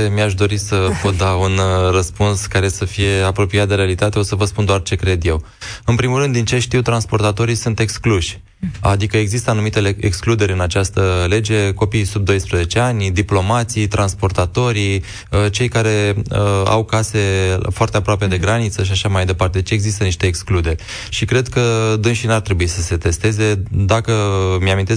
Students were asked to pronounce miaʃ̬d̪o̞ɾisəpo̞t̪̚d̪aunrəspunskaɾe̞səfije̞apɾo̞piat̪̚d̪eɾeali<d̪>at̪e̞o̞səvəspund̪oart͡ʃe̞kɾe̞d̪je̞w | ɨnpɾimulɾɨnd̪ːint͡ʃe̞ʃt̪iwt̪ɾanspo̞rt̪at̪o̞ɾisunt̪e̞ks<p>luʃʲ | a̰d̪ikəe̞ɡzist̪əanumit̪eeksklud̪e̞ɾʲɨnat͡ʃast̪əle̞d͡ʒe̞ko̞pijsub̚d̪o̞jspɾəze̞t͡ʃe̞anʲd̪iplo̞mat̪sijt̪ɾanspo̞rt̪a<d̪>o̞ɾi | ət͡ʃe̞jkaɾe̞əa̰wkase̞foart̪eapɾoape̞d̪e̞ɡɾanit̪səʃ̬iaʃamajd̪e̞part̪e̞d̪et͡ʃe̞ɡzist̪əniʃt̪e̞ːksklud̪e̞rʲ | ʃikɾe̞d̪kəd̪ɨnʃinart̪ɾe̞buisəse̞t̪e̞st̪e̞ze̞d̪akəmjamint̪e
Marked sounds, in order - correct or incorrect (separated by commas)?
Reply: incorrect, incorrect, incorrect